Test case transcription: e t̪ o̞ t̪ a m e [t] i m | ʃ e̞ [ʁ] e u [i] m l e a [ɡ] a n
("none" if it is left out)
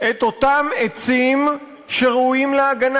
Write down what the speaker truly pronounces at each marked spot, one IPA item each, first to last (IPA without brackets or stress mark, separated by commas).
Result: t͡s, ʁ, i, ɡ